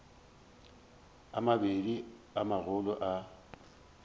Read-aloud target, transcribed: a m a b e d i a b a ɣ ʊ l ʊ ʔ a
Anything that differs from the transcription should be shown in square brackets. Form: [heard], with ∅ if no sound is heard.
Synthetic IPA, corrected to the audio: a m a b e d i a [m] a ɣ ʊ l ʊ ʔ a